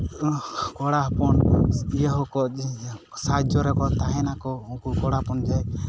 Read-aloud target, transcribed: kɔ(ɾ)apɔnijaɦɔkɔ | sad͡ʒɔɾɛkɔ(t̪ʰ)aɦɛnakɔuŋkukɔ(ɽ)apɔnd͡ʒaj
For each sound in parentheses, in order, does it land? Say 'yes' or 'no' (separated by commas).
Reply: no, no, yes